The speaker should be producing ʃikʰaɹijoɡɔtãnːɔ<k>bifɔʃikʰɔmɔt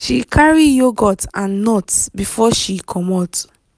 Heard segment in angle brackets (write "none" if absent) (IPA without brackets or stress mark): t